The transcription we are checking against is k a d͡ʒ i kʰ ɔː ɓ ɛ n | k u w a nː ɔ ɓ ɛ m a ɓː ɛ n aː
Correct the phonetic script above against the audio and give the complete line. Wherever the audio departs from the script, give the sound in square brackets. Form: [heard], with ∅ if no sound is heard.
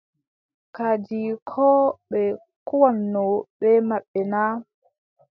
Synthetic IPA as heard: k a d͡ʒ i kʰ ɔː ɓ ɛ [∅] | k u w a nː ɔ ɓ ɛ m a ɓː ɛ n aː